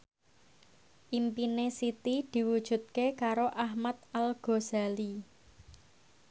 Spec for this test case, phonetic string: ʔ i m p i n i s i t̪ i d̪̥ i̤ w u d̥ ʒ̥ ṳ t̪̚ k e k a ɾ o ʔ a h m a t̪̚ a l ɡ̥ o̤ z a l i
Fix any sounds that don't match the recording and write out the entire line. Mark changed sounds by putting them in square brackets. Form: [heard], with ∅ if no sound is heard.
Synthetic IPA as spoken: ʔ i m p i n [e] s i t̪ i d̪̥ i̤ w u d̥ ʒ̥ ṳ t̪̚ k e k a ɾ o ʔ a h m a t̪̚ a l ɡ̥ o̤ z a l i